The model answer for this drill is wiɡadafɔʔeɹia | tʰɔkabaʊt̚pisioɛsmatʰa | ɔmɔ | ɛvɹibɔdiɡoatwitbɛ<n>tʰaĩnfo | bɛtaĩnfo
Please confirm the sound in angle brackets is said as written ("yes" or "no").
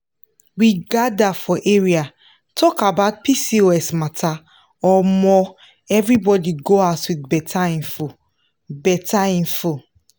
no